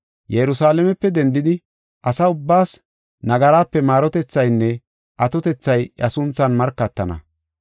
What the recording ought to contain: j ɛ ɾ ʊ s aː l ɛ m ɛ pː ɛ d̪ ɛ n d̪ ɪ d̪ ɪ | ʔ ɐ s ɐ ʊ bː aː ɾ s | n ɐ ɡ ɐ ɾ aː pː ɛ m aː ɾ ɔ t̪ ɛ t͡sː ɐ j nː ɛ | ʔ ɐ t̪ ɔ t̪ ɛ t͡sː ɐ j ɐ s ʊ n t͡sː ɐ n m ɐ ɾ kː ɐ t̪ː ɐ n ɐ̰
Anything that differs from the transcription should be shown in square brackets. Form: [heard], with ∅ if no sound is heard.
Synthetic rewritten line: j ɛ ɾ ʊ s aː l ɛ m ɛ pː ɛ d̪ ɛ n d̪ ɪ d̪ ɪ | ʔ ɐ s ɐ ʊ bː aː [∅] s | n ɐ ɡ ɐ ɾ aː pː ɛ m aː ɾ ɔ t̪ ɛ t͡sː ɐ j nː ɛ | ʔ ɐ t̪ ɔ t̪ ɛ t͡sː ɐ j ɐ s ʊ n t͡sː ɐ n m ɐ ɾ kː ɐ t̪ː ɐ n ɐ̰